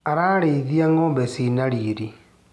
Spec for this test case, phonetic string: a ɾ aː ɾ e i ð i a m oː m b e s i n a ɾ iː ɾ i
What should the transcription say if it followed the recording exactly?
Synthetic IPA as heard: a ɾ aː ɾ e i ð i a ŋ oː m b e s i n a ɾ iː ɾ i